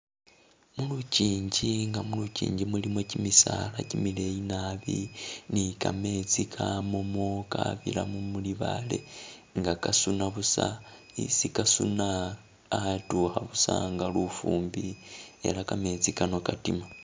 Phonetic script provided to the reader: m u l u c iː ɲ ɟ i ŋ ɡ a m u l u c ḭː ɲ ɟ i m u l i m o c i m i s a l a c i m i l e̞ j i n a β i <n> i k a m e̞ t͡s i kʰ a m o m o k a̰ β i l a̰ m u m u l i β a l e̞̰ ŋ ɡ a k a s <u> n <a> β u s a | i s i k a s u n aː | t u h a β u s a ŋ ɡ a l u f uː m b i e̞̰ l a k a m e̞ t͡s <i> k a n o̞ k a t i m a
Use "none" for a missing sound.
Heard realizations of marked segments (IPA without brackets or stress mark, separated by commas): n, u, a, i